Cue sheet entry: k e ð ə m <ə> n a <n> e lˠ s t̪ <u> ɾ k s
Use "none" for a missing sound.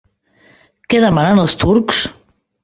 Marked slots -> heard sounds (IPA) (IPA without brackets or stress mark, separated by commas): a, n, u